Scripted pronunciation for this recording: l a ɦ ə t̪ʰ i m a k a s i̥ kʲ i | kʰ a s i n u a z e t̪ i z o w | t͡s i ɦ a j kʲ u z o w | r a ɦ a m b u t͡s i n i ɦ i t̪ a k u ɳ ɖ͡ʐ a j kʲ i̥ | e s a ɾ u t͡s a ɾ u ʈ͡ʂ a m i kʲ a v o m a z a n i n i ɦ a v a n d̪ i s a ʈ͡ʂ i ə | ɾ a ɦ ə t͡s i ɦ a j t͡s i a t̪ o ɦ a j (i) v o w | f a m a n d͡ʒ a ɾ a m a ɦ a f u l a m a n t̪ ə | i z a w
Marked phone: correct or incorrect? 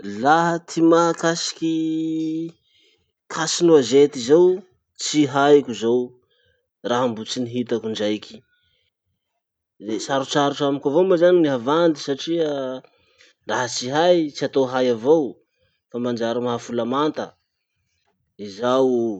incorrect